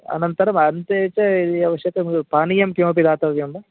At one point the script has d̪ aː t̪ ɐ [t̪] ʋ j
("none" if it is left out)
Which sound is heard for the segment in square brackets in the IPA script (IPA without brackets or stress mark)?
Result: none